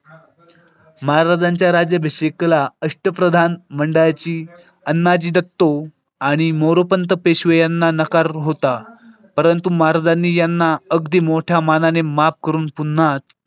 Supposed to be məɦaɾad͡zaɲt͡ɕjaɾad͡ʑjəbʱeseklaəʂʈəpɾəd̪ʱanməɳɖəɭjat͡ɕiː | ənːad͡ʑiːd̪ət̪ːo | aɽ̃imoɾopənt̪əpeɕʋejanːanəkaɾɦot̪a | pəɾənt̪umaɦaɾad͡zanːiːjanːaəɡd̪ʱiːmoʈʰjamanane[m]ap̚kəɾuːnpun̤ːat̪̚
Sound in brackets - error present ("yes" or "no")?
no